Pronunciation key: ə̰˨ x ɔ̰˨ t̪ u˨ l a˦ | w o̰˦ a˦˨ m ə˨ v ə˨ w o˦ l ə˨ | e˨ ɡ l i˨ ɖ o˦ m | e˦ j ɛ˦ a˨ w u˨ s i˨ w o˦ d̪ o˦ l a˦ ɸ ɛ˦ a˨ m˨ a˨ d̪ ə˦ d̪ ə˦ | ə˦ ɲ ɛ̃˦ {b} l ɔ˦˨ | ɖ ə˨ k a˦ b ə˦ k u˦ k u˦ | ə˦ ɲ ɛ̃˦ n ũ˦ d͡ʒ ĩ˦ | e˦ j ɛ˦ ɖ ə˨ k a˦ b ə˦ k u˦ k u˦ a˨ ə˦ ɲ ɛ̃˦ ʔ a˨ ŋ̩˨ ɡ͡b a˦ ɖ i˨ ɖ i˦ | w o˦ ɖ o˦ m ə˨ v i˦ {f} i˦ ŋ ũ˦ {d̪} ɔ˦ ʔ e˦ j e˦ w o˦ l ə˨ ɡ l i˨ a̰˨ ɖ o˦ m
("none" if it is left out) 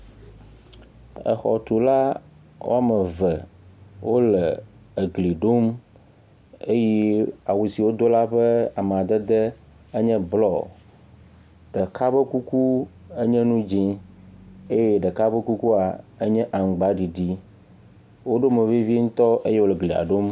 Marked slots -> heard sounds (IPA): b, v, t̪

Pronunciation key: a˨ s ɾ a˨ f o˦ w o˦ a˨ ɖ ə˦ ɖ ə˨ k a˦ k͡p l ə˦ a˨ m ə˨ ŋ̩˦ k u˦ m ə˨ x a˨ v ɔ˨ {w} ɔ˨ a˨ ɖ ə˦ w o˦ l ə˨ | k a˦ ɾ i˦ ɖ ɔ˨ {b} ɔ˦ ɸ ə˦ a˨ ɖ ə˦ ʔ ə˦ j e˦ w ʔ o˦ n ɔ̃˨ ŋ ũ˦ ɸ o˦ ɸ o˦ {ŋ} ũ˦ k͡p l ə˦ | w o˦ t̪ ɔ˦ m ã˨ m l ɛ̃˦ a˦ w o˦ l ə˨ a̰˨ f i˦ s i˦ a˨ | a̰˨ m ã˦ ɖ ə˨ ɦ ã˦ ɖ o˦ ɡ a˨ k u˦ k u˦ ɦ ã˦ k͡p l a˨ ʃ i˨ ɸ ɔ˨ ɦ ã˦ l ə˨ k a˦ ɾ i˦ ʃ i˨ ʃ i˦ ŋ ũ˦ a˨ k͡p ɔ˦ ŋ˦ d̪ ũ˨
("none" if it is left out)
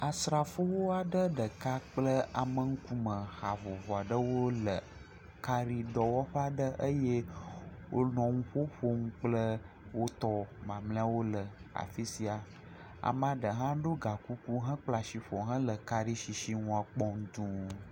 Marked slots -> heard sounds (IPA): v, w, ŋ

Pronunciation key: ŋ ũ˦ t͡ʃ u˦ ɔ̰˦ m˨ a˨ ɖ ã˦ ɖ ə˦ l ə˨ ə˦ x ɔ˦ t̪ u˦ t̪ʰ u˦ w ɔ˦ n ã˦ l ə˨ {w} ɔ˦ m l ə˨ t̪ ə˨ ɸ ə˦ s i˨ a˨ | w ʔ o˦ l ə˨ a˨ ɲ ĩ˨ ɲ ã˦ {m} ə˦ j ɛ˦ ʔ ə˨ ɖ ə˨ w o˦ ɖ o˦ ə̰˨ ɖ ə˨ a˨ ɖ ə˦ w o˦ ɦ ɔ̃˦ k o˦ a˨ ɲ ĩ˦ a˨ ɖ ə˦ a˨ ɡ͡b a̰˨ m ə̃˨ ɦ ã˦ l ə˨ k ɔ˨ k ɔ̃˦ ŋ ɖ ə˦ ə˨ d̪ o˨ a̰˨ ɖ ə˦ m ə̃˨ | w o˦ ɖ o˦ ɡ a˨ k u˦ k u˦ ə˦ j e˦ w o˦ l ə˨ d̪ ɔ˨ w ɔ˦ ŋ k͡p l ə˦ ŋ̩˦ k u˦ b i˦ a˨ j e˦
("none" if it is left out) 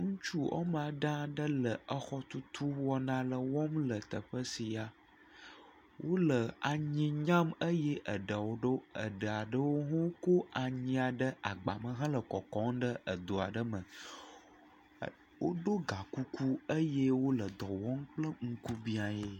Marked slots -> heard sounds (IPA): w, m

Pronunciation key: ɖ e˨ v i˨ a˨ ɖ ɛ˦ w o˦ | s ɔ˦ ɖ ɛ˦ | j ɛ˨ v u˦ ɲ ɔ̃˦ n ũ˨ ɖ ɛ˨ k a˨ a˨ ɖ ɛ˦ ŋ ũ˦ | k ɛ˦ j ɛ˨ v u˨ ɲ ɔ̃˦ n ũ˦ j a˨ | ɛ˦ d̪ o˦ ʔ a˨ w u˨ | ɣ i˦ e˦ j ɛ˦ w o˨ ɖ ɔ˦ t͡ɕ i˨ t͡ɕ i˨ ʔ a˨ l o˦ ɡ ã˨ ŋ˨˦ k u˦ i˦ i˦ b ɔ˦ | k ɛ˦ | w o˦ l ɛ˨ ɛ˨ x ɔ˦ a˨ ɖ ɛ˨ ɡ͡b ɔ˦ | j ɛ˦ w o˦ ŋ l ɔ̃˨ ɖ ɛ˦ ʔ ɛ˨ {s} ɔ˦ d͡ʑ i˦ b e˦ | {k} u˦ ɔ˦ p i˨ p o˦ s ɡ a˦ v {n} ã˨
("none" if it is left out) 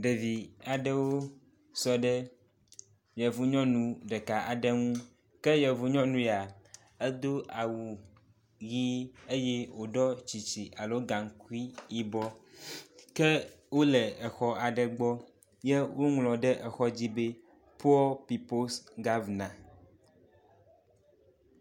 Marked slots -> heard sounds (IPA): x, p, n

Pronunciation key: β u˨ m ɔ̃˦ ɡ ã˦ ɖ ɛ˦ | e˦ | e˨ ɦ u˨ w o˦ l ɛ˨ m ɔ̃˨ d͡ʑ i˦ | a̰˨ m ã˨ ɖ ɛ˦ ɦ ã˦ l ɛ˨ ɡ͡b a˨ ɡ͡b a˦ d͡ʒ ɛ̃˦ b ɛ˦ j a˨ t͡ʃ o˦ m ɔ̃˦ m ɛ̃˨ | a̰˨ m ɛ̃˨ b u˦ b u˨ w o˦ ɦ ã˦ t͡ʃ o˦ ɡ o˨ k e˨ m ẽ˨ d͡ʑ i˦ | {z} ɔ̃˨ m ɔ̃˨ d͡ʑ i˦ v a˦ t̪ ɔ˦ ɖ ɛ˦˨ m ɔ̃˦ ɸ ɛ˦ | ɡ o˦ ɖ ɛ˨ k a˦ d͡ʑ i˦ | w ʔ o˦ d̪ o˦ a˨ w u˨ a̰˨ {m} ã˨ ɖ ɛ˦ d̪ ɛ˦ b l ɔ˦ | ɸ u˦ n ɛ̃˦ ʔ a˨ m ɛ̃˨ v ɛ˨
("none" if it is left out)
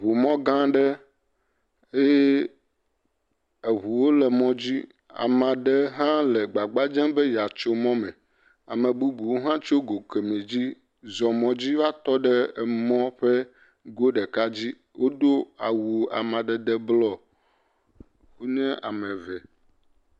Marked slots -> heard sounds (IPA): z, m

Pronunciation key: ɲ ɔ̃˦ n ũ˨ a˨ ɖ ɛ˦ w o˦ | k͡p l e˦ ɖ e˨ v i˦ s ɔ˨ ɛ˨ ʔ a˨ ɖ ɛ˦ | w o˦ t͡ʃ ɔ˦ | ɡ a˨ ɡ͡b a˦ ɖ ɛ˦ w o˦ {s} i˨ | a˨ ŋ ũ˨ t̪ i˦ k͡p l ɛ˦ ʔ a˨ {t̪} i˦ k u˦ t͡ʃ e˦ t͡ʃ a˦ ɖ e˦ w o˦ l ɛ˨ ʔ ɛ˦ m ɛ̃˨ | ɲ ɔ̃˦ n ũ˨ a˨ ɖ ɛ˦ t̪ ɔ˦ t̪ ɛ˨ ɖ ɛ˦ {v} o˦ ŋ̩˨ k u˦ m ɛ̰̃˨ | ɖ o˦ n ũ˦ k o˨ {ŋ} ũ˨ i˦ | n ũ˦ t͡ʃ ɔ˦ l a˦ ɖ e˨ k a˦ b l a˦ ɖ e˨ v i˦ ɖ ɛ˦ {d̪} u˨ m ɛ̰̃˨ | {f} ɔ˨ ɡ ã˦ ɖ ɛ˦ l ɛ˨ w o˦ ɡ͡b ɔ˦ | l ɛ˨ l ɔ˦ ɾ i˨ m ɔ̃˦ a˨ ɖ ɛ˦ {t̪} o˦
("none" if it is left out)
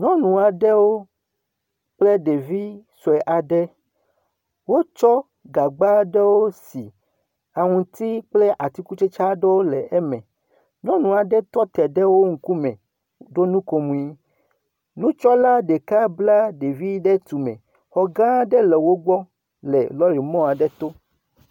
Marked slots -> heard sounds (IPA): s, t̪, w, m, t̪, x, t̪

